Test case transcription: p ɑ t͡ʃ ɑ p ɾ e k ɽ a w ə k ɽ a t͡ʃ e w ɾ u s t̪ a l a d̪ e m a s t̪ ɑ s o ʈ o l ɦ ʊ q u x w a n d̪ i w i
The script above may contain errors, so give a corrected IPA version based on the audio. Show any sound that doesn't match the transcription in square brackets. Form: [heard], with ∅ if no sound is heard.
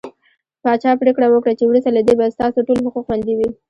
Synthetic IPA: p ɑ t͡ʃ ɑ p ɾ e k ɽ a w ə k ɽ a t͡ʃ e w ɾ u s t̪ a l a d̪ e [b] a s t̪ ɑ s o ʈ o l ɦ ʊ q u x w a n d̪ i w i